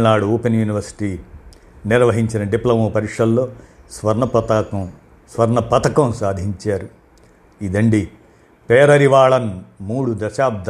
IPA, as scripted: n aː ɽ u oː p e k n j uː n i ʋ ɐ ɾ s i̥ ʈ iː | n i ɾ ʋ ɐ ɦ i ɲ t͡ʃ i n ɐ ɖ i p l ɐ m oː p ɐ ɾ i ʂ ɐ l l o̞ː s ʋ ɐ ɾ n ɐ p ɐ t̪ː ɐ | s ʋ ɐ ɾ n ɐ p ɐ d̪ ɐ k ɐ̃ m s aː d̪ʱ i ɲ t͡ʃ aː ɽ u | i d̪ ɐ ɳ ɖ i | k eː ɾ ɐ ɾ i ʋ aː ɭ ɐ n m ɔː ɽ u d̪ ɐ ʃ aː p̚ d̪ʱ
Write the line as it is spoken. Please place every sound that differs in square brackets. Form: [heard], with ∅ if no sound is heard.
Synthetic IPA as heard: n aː ɽ u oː p e [∅] n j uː n i ʋ ɐ ɾ s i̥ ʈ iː | n i ɾ ʋ ɐ ɦ i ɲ t͡ʃ i n ɐ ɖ i p l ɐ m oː p ɐ ɾ i ʂ ɐ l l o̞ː s ʋ ɐ ɾ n ɐ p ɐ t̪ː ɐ | s ʋ ɐ ɾ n ɐ p ɐ [t̪] ɐ k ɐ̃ m s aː d̪ʱ i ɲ t͡ʃ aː [ɾ] u | i d̪ ɐ ɳ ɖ i | [p] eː ɾ ɐ ɾ i ʋ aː ɭ ɐ n m [uː] ɽ u d̪ ɐ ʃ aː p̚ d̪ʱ